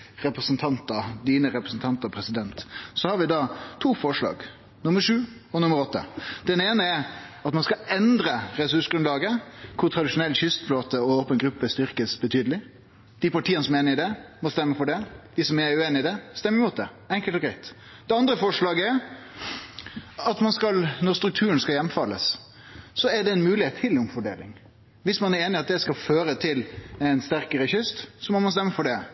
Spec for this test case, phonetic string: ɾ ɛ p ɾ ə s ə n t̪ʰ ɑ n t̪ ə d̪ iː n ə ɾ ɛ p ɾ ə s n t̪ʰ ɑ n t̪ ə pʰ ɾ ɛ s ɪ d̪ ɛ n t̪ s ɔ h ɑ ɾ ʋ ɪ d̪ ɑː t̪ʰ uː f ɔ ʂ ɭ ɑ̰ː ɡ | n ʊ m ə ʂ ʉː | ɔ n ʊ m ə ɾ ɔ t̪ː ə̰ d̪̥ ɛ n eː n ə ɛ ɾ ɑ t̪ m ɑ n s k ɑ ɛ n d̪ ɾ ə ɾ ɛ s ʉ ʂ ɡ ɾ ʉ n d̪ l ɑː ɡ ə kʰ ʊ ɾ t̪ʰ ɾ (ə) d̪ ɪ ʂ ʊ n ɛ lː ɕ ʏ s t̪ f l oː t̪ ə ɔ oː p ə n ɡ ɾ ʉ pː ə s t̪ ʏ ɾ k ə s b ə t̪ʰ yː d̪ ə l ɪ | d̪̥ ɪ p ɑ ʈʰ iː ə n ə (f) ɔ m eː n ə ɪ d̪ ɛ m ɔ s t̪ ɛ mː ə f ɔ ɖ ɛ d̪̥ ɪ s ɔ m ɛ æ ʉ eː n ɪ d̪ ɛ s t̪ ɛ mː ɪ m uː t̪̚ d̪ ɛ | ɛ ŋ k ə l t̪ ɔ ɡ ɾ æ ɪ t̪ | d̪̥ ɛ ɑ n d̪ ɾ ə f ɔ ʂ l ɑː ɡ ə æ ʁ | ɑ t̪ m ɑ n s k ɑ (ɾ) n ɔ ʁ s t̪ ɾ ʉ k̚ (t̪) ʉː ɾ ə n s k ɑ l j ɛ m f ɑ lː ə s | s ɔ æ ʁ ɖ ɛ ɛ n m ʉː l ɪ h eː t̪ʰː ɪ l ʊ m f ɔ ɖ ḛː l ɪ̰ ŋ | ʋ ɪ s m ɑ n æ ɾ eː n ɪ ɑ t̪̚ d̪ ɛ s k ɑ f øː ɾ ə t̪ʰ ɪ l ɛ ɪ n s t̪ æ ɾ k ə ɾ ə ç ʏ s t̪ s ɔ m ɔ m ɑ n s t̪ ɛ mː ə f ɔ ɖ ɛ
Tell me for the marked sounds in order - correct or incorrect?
incorrect: ɑ, incorrect: s, incorrect: l, incorrect: t̪ʰ

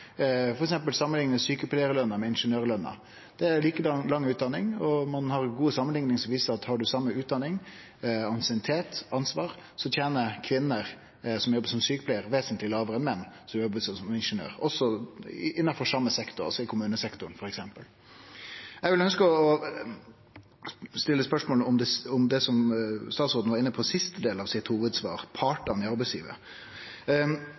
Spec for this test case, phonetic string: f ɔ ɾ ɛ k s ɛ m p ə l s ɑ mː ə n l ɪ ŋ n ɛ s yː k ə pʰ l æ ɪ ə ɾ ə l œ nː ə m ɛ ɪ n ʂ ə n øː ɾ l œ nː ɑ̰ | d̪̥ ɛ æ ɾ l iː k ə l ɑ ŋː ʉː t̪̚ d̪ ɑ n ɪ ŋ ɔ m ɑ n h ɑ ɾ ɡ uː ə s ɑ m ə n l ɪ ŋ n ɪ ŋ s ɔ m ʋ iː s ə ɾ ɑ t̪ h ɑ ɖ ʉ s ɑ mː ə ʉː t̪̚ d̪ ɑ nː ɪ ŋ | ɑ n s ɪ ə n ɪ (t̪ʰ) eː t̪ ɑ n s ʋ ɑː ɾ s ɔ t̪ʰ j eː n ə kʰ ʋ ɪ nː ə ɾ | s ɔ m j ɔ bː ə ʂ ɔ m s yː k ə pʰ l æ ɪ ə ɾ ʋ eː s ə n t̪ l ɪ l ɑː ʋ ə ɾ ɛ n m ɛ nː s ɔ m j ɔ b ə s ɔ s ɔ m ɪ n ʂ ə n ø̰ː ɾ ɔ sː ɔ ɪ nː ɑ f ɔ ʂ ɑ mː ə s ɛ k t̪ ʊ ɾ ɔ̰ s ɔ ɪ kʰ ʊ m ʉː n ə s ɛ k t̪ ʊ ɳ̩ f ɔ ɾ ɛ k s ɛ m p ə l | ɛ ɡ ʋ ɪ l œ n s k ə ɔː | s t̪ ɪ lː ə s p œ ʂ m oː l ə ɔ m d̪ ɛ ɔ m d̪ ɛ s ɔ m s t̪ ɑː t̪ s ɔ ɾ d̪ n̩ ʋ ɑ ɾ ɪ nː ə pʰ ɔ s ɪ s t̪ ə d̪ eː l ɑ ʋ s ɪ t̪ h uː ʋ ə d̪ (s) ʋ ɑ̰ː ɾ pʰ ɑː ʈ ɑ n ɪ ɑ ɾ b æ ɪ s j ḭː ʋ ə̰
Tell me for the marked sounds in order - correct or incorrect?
correct, correct

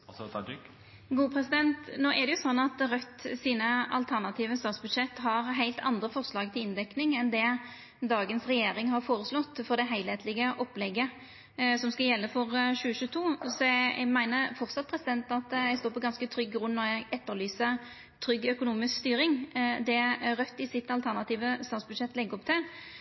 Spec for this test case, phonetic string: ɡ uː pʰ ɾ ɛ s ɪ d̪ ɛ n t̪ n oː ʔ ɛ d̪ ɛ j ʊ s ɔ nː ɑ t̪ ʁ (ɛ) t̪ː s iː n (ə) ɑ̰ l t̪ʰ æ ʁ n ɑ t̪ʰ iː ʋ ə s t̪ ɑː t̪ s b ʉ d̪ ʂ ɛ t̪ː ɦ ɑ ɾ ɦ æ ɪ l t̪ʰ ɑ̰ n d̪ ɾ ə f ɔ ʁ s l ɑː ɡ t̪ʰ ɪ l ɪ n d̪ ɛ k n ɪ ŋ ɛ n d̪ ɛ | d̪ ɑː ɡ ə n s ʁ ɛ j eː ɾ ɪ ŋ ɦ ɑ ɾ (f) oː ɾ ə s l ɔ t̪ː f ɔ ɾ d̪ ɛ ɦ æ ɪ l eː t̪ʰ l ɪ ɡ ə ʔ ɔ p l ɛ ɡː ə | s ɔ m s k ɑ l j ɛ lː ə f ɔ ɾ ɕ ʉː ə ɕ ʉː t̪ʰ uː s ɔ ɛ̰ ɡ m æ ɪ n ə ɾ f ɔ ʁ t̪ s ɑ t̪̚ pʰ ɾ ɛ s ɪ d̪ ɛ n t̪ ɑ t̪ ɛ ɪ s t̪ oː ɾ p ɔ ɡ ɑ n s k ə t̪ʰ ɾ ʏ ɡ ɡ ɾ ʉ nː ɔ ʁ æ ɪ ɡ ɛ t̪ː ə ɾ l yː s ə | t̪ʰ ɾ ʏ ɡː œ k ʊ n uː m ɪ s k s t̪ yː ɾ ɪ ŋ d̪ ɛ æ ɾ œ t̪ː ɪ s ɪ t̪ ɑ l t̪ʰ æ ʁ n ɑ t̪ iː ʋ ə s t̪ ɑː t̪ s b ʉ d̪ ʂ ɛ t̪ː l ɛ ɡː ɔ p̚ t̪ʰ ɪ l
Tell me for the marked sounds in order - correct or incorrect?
incorrect: œ, correct, correct

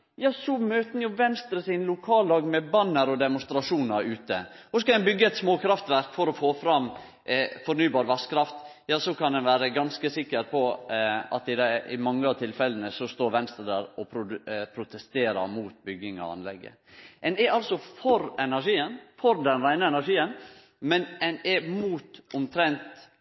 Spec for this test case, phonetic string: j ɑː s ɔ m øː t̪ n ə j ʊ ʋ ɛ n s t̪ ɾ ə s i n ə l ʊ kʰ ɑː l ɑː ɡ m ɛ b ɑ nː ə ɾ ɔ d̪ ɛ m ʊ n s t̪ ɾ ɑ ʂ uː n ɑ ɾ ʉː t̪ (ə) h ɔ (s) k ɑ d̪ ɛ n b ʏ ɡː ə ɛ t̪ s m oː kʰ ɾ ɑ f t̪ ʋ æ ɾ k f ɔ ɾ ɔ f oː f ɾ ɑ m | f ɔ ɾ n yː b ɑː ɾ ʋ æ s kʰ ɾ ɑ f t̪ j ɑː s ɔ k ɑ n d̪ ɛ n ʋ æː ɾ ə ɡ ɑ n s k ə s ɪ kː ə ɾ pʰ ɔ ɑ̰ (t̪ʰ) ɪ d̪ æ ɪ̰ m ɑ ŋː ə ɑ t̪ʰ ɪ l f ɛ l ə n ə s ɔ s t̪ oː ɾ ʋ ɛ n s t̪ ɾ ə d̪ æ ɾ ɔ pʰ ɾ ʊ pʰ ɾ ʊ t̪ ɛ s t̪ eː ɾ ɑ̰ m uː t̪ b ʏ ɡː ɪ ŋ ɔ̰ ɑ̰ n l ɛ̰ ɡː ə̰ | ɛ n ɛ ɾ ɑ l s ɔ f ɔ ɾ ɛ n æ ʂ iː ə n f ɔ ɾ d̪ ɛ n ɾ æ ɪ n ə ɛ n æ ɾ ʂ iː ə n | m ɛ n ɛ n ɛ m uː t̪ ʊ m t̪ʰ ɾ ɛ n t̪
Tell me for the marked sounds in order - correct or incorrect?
correct, correct, incorrect: t̪

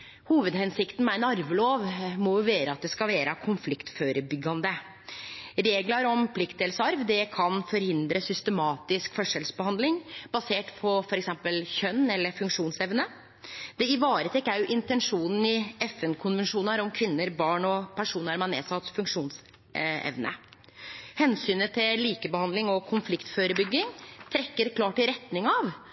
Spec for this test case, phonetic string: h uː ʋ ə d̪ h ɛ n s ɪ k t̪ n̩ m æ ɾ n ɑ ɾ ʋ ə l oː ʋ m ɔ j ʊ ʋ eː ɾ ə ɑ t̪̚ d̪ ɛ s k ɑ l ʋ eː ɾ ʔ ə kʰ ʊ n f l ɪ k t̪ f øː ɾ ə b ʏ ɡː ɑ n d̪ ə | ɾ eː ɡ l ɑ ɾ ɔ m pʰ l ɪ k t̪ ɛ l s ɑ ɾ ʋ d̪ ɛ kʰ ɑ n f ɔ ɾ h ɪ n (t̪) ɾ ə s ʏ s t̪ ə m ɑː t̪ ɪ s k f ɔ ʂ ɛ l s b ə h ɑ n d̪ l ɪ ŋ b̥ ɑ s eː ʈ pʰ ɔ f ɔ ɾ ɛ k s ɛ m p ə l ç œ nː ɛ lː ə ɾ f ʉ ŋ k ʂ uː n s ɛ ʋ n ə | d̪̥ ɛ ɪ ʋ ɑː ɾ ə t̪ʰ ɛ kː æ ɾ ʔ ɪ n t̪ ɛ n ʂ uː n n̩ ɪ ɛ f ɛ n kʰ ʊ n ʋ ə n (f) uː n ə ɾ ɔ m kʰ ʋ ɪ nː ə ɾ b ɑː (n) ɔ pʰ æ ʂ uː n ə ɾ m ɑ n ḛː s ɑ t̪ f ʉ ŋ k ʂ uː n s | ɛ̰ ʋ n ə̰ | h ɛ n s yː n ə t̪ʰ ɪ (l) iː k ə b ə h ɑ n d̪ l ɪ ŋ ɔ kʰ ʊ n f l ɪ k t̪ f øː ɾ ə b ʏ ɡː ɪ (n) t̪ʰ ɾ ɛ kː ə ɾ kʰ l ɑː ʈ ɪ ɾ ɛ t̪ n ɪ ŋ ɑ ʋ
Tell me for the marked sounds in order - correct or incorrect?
incorrect: d̪, incorrect: ʂ, incorrect: ɳ, correct, incorrect: ŋ

